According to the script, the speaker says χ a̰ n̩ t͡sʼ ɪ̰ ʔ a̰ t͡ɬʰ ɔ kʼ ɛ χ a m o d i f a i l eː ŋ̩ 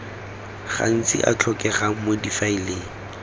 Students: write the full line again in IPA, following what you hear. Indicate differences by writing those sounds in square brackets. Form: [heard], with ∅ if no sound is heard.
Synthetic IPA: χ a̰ n̩ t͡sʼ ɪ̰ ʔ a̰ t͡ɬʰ ɔ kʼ ɛ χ a m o d i f a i l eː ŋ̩